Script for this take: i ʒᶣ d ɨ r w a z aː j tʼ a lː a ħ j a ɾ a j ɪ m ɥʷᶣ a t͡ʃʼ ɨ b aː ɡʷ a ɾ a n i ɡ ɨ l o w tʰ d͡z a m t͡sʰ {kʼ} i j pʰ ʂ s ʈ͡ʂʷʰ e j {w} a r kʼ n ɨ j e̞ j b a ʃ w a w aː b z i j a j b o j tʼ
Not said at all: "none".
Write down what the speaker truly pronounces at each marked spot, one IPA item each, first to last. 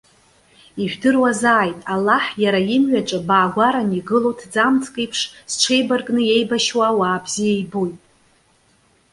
kʼ, b

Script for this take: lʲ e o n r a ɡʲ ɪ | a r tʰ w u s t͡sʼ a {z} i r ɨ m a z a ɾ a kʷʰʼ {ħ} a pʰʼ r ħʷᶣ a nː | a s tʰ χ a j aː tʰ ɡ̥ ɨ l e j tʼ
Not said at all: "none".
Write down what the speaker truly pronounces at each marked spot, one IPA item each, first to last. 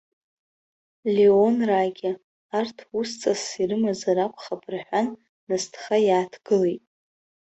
s, χ

